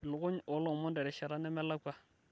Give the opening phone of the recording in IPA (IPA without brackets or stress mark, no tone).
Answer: l